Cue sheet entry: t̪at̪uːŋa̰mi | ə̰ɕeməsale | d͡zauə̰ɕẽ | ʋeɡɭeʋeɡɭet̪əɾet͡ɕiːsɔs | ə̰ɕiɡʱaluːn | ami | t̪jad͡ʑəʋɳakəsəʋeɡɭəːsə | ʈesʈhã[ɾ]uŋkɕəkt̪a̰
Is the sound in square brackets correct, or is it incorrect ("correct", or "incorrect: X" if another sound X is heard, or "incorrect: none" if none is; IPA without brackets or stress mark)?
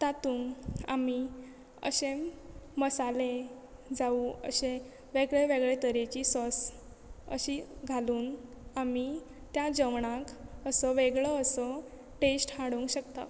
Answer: incorrect: ɽ